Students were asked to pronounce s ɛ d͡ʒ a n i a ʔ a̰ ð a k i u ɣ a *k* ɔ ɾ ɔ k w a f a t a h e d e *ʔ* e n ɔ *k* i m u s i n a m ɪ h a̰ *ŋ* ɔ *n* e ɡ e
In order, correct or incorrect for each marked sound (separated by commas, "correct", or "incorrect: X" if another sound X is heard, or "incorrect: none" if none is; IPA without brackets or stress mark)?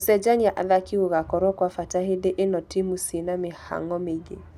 correct, correct, incorrect: t, correct, incorrect: m